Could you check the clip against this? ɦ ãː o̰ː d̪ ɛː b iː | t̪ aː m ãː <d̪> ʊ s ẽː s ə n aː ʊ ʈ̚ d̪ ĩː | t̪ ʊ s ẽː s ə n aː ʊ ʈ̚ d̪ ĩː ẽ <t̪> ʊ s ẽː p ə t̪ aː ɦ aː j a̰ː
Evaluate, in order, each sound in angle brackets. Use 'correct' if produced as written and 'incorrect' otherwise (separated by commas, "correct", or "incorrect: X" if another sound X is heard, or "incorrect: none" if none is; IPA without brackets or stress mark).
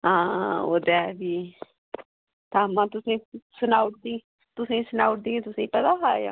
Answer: incorrect: t̪, correct